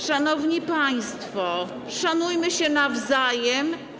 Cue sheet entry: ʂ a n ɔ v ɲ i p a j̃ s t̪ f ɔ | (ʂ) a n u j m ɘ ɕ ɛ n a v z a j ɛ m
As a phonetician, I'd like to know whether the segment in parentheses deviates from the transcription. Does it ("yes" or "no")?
no